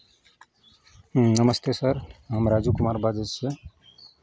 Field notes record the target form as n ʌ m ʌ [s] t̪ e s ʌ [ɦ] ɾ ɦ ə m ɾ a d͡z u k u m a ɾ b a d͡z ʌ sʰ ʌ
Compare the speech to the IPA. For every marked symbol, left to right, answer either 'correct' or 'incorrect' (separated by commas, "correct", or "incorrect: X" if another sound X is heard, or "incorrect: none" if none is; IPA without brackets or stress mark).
correct, incorrect: none